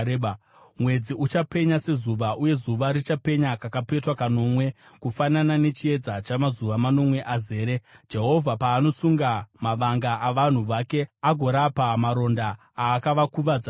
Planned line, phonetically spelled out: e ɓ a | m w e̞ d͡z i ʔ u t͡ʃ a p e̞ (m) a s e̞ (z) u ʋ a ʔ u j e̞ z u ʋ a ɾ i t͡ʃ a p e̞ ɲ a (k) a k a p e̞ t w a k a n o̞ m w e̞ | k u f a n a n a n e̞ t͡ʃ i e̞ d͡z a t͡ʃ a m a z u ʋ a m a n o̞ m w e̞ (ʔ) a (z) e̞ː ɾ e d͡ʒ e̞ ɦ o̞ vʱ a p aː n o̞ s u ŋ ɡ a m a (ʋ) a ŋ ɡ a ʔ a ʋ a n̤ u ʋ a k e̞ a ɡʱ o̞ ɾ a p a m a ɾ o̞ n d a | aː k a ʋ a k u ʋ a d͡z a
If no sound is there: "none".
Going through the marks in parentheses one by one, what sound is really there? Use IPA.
ɲ, z, k, ʔ, z, ʋ

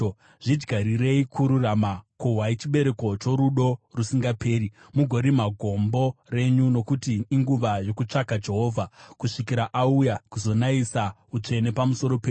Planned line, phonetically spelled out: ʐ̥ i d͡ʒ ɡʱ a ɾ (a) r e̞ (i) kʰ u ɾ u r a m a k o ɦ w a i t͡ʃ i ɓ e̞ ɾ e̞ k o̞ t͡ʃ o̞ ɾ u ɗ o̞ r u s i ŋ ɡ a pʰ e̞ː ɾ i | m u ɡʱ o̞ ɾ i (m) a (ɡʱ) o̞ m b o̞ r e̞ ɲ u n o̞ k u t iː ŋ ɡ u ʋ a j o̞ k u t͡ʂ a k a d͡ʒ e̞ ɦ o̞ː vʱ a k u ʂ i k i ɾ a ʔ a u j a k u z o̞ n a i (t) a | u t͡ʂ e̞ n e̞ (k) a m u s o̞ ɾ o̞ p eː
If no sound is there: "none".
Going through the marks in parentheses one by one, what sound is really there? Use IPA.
i, i, m, ɡʱ, s, p

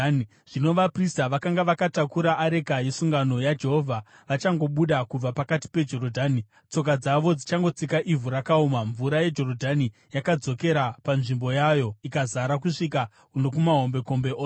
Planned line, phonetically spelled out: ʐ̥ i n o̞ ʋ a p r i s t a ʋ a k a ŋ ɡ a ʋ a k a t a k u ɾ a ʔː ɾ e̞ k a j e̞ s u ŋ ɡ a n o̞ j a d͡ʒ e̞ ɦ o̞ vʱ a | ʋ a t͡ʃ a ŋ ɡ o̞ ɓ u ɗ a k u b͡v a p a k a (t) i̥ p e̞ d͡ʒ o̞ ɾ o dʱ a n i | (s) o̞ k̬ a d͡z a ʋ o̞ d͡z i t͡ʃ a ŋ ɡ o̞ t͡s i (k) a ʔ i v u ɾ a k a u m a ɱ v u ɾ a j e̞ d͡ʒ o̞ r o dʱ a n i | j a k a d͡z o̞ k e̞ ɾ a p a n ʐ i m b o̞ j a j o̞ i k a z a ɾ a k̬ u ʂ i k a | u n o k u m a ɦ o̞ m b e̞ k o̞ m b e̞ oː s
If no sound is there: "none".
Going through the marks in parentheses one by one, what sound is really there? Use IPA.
t, t͡s, k

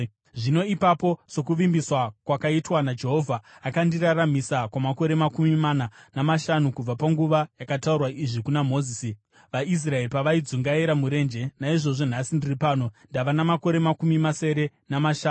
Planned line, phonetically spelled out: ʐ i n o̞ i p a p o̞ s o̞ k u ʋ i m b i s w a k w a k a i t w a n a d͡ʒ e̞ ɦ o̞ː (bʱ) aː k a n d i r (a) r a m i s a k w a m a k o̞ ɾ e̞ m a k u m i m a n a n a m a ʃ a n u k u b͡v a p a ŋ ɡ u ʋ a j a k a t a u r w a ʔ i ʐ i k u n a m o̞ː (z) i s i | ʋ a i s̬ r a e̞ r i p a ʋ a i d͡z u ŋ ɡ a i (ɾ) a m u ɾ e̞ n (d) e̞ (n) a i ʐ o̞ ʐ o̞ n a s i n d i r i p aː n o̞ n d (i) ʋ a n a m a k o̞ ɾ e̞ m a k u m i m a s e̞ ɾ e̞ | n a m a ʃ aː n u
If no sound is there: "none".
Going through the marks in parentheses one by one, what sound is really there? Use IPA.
vʱ, a, z, ɾ, d͡ʒ, n, a

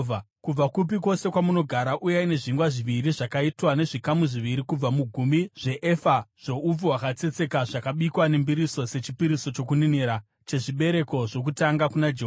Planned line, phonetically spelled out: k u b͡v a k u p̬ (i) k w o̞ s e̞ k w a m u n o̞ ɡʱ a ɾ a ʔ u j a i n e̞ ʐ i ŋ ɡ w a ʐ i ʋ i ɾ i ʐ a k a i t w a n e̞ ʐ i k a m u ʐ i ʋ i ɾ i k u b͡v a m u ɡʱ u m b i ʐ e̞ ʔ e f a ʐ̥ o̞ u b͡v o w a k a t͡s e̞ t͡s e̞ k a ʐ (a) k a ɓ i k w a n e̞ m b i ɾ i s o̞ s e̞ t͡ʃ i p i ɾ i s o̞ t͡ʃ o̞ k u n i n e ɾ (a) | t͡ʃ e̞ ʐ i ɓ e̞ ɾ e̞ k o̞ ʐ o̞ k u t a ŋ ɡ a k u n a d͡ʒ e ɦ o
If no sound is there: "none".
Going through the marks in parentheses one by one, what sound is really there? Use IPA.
i, a, a

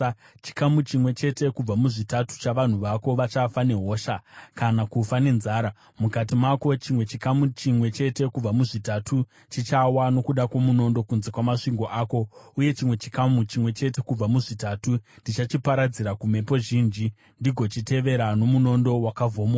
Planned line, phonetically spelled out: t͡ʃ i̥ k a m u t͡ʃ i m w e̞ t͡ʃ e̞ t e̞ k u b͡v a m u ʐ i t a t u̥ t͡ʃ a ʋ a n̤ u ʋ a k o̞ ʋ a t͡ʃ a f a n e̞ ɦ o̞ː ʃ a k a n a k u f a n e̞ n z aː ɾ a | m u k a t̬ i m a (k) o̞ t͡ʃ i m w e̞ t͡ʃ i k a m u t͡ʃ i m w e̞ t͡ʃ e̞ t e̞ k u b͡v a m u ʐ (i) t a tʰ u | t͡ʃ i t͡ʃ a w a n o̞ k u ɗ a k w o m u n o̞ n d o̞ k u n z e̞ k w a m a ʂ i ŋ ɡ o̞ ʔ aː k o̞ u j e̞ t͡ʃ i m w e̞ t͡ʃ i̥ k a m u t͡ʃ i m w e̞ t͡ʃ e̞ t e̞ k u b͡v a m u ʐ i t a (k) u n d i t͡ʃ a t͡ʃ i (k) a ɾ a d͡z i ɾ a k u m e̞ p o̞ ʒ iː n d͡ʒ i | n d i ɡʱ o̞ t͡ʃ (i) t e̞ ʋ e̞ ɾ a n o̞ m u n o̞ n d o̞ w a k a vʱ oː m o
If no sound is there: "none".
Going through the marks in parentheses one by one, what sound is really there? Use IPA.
k, i, t, p, i

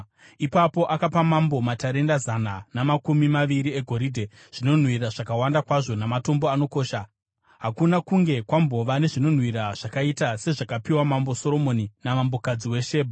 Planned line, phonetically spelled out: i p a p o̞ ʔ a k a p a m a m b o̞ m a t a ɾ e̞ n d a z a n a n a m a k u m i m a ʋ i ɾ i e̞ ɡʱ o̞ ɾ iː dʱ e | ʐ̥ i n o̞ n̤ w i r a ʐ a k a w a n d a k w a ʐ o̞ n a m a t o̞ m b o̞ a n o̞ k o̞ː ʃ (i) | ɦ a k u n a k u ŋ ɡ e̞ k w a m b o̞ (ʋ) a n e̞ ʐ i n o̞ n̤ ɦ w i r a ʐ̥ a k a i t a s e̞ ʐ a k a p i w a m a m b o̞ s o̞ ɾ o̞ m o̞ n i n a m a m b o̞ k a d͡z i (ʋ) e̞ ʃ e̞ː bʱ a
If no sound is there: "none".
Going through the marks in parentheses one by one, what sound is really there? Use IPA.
a, ʋ, w

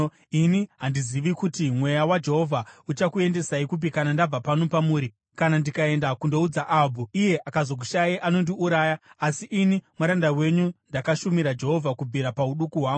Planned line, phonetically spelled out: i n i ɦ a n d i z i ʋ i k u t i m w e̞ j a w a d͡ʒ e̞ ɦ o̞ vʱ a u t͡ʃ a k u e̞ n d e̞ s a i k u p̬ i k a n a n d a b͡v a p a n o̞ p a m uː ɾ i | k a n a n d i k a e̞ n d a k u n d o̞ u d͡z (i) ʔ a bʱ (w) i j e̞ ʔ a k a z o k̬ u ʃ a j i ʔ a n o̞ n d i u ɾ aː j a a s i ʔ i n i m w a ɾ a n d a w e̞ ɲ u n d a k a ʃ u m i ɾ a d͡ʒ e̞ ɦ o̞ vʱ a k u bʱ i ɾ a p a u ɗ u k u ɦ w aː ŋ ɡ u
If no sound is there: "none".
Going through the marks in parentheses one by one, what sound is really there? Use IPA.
a, u

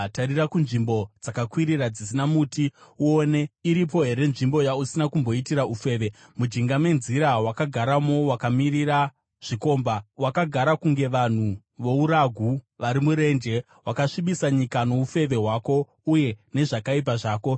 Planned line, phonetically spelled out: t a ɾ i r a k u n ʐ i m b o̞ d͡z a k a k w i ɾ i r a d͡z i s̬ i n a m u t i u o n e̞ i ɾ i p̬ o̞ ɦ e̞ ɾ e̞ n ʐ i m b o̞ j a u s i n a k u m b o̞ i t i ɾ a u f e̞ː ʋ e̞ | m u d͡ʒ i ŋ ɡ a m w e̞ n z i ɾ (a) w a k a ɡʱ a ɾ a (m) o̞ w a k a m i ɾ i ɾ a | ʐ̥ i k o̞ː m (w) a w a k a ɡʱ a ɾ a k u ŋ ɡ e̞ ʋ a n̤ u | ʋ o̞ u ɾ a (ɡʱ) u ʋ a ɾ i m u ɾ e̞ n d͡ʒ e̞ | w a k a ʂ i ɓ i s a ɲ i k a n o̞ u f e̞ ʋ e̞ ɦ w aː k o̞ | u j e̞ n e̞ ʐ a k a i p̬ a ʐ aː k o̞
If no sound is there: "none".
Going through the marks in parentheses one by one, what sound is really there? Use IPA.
a, m, b, ɡʱ

